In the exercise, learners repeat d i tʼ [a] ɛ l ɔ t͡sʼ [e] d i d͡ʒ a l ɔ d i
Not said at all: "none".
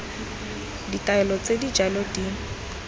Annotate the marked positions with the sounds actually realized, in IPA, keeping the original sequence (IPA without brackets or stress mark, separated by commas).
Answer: a, e